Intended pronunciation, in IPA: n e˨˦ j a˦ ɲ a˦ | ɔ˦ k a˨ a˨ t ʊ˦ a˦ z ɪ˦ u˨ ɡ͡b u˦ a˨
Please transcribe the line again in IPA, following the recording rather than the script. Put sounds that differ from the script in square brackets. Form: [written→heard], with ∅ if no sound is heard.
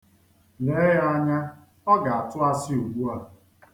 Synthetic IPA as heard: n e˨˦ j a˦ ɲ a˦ | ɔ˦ [k→ɡ] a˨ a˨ t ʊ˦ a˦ [z→s] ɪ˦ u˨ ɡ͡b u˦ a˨